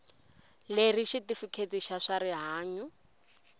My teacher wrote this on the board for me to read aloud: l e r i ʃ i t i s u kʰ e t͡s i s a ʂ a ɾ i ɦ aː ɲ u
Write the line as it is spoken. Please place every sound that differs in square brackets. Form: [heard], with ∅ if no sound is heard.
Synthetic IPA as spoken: l e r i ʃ i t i [f] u kʰ e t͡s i [ʃ] a ʂ a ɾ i ɦ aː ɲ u